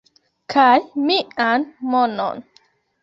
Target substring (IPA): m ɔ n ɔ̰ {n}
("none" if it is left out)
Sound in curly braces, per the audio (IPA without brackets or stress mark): n